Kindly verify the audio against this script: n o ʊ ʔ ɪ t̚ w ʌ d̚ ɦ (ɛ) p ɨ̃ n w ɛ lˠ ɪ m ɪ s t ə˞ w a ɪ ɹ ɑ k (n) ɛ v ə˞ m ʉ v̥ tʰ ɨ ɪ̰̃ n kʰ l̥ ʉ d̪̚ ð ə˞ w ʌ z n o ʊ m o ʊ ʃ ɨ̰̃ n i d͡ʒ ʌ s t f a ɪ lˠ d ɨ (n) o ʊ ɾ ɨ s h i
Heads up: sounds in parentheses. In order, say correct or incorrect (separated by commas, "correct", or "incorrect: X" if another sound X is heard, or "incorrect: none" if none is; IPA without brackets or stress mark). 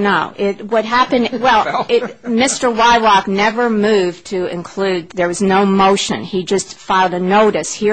incorrect: æ, correct, correct